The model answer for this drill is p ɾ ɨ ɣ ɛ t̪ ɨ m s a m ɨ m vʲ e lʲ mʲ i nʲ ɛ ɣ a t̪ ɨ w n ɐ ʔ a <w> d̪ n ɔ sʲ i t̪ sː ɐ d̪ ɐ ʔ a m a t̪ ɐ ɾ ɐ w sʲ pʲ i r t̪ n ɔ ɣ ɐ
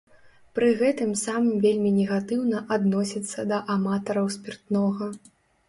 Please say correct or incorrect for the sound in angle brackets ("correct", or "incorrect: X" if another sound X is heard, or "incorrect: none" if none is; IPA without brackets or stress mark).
incorrect: none